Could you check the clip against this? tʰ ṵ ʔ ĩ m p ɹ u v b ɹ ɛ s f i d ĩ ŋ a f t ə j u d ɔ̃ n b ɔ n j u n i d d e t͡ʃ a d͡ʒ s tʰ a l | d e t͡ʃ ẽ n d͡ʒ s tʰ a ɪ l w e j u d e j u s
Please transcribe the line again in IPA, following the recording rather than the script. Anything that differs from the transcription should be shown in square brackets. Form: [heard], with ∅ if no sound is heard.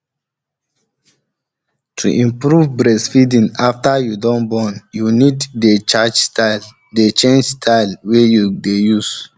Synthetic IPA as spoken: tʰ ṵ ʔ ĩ m p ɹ u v b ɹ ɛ s f i d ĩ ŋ a f t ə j u d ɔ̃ n b ɔ n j u n i d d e t͡ʃ a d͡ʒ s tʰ a l | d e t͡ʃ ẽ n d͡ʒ s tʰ a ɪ l w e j u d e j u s